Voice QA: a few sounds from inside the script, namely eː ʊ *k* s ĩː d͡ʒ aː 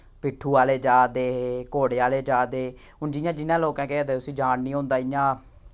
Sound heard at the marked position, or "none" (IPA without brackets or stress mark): none